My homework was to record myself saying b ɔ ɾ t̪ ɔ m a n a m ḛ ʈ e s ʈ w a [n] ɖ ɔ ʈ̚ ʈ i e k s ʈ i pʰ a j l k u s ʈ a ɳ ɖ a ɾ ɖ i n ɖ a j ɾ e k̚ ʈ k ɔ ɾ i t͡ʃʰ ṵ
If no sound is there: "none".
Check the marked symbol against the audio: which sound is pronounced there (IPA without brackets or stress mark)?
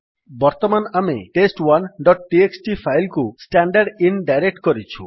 n